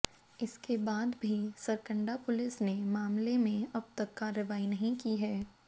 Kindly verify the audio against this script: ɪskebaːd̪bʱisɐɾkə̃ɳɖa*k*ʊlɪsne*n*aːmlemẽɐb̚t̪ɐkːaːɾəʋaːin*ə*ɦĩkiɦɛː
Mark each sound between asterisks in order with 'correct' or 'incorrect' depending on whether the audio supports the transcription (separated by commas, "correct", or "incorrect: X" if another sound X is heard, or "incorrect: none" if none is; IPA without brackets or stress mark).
incorrect: p, incorrect: m, incorrect: ɐ